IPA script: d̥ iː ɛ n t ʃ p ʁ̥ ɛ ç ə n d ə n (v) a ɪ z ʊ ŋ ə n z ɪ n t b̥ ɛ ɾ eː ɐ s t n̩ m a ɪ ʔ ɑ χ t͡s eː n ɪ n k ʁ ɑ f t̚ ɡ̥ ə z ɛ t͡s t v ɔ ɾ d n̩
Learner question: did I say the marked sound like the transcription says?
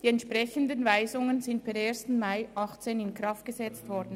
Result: yes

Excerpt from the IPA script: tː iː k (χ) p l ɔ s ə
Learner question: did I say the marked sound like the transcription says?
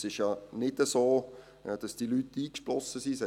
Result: no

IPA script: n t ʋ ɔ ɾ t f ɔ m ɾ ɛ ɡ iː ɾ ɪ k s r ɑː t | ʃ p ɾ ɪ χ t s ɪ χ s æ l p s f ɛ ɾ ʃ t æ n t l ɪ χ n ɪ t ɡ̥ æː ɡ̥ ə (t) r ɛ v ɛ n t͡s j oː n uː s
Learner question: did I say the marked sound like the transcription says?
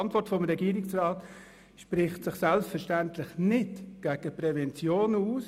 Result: no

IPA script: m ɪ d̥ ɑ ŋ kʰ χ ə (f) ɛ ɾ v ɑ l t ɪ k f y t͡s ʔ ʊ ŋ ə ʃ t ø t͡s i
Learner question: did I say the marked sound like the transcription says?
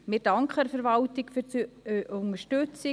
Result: yes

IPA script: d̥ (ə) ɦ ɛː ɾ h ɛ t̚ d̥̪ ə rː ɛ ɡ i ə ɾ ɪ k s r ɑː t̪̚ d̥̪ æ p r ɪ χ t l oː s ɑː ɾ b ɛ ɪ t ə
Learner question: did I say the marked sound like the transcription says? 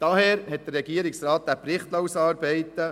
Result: no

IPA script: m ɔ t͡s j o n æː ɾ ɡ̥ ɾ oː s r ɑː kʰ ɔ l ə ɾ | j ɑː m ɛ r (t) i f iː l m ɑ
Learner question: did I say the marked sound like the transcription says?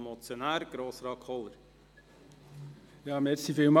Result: no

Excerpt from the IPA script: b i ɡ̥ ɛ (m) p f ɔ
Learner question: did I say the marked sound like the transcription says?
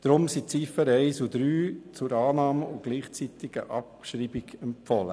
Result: yes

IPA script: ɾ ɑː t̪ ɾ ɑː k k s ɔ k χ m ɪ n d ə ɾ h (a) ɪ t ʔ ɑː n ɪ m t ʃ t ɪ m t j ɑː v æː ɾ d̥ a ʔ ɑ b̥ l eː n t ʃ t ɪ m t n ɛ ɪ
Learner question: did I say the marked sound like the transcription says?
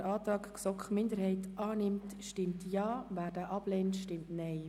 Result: no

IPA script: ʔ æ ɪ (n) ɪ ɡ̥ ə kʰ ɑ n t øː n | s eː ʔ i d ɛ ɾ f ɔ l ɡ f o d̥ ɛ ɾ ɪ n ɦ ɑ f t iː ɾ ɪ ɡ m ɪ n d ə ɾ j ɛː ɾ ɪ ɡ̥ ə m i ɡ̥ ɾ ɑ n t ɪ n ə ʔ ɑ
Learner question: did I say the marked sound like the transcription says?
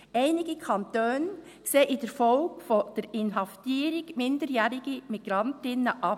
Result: yes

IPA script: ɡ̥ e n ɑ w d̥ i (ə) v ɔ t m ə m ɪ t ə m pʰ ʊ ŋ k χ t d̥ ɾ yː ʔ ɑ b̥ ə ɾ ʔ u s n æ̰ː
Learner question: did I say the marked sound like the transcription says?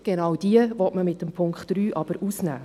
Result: yes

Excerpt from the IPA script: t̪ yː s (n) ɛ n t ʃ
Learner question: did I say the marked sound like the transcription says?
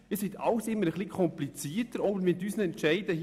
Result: yes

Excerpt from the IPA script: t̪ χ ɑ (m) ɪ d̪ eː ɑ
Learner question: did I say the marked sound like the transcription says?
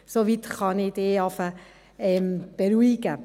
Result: no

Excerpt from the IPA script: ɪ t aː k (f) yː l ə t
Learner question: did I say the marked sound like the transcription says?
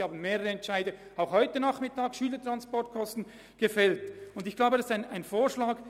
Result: no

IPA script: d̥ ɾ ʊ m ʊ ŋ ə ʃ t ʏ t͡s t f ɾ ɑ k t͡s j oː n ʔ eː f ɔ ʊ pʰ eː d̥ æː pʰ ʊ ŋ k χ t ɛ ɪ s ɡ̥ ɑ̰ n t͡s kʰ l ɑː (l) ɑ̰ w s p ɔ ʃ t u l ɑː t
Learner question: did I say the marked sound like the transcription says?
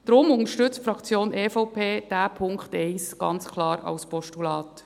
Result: no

